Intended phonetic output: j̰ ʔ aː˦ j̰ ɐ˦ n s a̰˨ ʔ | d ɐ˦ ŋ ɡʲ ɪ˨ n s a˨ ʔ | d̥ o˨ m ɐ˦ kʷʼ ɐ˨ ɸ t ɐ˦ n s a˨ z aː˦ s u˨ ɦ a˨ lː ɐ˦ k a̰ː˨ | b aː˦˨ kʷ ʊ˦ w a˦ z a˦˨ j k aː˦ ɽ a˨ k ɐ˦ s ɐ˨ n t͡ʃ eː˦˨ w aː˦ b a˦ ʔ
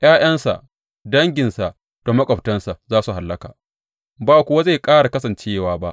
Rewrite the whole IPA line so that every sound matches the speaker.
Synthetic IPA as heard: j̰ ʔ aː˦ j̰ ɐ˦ n s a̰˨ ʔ | d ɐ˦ ŋ ɡʲ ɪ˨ n s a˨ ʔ | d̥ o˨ m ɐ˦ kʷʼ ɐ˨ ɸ t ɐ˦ n s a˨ z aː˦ s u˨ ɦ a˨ lː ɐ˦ k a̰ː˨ | b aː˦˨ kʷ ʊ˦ w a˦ z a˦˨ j kʼ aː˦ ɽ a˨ k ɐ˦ s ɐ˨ n t͡ʃ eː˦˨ w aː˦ b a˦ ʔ